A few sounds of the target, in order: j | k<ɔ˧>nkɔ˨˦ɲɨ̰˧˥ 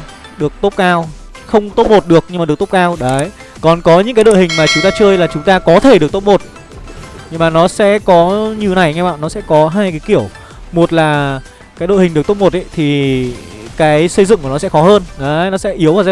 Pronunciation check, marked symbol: incorrect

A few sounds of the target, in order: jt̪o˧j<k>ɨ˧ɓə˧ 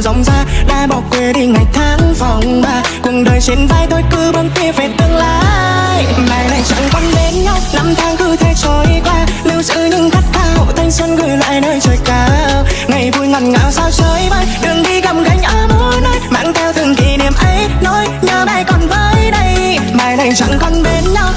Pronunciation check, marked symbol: correct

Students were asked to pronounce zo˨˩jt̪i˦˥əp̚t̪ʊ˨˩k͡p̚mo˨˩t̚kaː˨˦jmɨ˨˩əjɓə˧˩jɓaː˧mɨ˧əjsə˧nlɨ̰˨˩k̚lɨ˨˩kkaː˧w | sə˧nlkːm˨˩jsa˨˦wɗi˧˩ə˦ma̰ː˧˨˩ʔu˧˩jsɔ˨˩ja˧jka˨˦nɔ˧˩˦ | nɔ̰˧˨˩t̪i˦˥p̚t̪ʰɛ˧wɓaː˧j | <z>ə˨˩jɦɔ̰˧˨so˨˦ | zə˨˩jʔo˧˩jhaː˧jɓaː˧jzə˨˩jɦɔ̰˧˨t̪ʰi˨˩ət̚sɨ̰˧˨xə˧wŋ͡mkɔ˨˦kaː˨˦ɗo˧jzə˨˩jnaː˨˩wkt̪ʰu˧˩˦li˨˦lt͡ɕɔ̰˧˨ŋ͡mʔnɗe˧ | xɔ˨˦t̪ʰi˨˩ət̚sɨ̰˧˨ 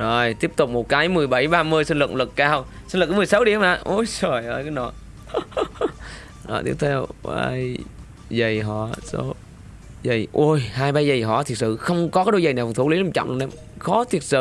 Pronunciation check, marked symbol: correct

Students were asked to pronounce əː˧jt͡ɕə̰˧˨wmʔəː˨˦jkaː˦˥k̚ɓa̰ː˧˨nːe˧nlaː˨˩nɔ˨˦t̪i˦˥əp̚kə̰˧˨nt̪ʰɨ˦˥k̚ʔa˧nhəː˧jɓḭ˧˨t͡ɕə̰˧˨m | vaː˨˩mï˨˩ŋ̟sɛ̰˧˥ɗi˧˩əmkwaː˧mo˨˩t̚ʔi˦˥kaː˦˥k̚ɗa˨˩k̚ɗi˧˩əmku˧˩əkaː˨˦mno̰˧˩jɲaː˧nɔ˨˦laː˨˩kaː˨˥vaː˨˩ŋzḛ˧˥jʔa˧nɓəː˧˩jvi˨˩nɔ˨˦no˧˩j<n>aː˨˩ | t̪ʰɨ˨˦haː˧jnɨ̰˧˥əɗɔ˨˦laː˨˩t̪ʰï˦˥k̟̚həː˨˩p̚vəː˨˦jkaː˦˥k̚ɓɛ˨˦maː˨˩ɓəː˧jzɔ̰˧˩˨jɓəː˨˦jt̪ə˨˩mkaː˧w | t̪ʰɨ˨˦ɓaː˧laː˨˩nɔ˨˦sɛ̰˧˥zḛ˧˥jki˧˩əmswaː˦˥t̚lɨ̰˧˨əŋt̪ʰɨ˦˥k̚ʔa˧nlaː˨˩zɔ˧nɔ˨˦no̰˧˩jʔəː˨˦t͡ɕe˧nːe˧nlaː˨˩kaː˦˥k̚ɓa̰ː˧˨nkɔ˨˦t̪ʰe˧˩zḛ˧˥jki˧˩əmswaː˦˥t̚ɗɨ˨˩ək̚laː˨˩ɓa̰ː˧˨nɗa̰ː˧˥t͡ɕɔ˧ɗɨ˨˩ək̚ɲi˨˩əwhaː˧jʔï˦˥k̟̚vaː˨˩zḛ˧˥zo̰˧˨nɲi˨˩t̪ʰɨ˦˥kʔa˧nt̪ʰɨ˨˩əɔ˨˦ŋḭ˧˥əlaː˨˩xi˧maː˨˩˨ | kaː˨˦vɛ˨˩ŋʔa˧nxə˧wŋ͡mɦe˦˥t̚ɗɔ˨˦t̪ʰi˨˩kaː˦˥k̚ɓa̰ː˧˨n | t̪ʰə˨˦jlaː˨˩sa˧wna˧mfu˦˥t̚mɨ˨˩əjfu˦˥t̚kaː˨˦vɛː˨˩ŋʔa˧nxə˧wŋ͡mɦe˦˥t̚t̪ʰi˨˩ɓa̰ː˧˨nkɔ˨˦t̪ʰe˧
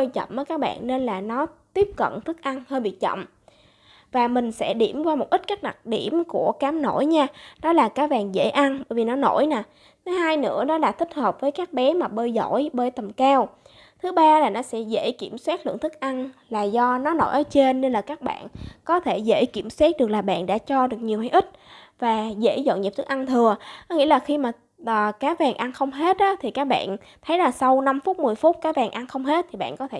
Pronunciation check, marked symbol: correct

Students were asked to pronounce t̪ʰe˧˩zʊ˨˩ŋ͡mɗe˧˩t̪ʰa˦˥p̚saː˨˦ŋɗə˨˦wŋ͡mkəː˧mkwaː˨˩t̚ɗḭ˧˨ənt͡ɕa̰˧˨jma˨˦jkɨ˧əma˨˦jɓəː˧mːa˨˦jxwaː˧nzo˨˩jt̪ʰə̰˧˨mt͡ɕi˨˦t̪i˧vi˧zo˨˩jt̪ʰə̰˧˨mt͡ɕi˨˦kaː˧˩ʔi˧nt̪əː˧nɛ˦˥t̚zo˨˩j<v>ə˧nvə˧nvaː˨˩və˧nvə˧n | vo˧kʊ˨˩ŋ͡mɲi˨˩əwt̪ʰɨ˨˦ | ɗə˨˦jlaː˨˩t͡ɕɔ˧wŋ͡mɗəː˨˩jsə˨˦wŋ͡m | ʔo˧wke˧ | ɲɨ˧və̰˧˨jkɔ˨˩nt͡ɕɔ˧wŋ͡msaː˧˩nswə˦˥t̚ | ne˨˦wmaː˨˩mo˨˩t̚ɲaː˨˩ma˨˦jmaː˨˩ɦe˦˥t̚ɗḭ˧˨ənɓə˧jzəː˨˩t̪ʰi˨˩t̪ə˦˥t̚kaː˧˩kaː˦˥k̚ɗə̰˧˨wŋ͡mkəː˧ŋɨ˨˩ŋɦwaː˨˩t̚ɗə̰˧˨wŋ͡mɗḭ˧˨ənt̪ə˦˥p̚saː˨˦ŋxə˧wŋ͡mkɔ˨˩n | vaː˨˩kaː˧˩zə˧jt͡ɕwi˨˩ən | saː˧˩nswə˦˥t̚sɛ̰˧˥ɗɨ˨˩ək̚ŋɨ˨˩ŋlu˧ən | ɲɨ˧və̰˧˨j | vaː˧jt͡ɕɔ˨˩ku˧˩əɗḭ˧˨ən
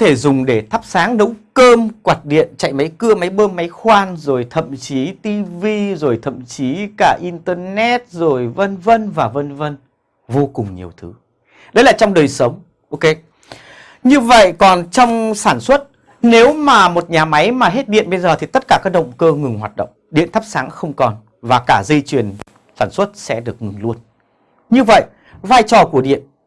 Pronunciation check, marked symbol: correct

